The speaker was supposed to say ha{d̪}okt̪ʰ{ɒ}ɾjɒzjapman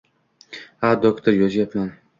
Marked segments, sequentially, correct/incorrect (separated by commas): correct, incorrect